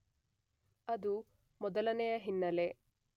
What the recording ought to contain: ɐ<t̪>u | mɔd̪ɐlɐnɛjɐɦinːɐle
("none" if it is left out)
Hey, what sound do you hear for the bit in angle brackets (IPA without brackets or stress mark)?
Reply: d̪